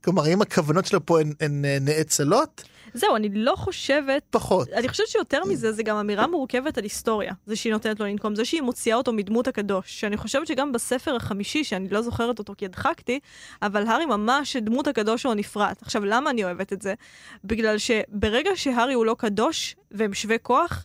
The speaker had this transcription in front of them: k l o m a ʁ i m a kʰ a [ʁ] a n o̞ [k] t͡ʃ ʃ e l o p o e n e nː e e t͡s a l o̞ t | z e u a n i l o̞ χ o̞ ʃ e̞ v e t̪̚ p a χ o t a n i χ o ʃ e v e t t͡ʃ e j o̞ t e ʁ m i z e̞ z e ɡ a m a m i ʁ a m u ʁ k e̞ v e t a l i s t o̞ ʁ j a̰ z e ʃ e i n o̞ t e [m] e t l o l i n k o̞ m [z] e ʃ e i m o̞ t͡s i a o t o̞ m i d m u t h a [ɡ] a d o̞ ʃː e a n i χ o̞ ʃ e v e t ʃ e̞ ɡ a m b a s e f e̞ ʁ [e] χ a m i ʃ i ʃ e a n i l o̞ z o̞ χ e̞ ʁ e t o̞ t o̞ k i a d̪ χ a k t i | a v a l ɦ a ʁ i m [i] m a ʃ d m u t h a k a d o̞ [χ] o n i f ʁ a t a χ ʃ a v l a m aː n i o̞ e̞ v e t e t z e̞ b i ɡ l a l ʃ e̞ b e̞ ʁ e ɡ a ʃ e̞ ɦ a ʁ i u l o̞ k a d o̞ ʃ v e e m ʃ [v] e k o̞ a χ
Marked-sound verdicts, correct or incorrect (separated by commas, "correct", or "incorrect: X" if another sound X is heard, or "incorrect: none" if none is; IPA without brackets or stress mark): incorrect: v, incorrect: t, incorrect: n, correct, incorrect: k, incorrect: a, incorrect: a, incorrect: ʃ, correct